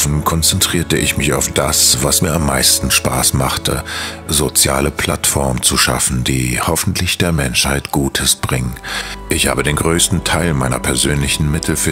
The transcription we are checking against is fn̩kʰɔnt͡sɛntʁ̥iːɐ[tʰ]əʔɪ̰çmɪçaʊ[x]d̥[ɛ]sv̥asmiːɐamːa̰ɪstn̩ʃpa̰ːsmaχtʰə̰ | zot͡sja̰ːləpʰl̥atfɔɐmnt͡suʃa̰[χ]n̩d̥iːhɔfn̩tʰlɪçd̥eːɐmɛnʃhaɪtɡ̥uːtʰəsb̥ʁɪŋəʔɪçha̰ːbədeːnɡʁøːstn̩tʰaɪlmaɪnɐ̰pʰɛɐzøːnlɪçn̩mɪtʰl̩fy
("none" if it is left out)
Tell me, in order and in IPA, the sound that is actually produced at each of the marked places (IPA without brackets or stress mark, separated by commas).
t, f, a, f